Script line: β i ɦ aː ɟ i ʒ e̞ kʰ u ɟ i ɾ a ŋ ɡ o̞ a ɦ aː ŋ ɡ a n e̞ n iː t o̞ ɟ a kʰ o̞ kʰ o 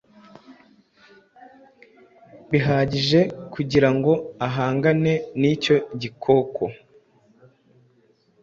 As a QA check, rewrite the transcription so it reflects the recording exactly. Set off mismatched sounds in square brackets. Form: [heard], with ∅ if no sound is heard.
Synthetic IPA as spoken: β i ɦ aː ɟ i ʒ e̞ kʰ u ɟ i ɾ a ŋ ɡ o̞ a ɦ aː ŋ ɡ a n e̞ n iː [c] o̞ ɟ [i] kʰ o̞ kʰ o